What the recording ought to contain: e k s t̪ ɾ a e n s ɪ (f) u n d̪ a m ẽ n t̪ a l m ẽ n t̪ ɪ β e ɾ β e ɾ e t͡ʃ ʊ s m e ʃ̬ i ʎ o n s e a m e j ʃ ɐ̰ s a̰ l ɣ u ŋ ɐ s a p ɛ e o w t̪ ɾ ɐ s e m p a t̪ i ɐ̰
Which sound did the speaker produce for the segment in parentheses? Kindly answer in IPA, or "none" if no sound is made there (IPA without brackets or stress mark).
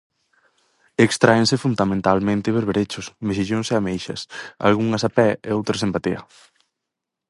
f